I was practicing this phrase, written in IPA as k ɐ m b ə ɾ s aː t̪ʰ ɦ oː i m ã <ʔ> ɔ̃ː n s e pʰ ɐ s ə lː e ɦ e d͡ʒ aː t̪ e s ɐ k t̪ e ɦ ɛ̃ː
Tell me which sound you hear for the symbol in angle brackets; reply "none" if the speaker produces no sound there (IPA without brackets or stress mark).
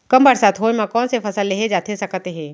k